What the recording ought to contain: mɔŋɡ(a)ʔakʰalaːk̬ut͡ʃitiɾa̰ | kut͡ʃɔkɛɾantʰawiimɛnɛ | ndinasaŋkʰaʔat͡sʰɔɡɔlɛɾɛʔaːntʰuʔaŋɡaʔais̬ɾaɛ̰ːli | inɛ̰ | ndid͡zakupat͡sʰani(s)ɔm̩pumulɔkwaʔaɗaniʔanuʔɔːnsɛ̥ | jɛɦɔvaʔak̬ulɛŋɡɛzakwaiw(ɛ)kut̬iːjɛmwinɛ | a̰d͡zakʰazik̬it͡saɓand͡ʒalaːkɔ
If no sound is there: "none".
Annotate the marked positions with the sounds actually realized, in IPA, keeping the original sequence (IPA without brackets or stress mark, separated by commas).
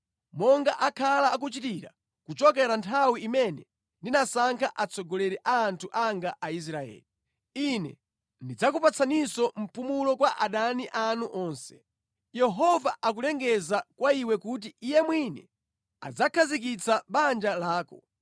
a, s, ɛ